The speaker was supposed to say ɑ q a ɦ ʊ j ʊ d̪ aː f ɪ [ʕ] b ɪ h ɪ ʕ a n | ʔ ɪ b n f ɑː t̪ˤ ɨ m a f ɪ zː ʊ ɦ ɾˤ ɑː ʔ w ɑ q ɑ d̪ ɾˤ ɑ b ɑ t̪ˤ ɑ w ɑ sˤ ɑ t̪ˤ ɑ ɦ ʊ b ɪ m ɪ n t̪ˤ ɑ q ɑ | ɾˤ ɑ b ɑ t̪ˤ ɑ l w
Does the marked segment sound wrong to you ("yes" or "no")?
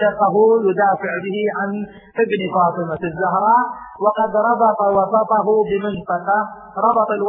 no